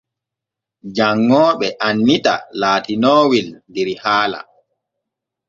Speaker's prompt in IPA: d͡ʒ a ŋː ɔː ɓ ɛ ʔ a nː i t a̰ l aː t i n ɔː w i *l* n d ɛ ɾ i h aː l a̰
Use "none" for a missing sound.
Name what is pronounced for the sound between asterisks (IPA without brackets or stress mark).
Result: l